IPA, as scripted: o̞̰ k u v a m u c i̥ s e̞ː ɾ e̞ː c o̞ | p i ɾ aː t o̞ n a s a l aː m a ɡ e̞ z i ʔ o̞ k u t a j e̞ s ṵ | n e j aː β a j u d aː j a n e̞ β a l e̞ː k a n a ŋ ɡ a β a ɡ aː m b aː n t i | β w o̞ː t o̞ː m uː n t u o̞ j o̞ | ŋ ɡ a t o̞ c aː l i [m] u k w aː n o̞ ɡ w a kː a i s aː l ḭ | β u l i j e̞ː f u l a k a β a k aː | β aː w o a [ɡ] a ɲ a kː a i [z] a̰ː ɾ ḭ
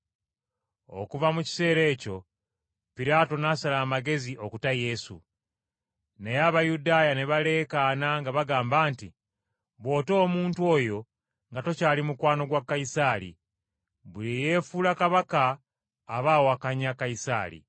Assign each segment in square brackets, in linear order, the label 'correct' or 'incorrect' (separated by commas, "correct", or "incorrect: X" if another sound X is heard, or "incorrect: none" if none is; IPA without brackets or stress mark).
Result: correct, incorrect: k, incorrect: s